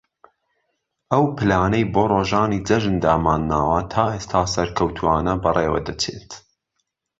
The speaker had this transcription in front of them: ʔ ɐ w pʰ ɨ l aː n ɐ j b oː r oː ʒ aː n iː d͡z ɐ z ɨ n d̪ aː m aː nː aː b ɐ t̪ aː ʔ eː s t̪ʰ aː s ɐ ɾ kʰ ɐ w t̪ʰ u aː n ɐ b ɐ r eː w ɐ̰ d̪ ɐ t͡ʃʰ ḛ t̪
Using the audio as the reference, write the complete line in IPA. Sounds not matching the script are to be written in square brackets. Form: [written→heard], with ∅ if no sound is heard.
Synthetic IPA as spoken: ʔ ɐ w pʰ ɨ l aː n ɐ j b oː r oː ʒ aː n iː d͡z ɐ [z→ʒ] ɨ n d̪ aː m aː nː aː [b→w] ɐ [t̪→t̪ʰ] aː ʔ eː s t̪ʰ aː s ɐ ɾ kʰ ɐ w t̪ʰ u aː n ɐ b ɐ r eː w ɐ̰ d̪ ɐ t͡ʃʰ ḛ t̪